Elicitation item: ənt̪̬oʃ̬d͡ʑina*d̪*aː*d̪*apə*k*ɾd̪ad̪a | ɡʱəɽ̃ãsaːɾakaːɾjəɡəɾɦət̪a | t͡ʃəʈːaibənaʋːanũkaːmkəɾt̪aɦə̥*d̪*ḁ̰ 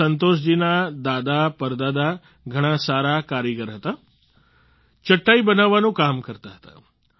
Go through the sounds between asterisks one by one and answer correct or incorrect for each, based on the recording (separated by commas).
correct, correct, incorrect, incorrect